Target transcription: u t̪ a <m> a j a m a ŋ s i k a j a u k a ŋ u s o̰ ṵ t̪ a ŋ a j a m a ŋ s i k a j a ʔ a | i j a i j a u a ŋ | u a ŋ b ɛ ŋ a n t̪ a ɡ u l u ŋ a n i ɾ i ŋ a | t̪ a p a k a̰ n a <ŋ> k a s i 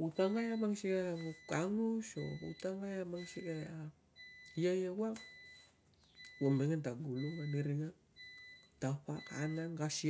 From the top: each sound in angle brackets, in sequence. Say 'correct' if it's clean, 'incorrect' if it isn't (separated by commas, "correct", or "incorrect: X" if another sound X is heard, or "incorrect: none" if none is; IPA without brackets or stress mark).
incorrect: ŋ, correct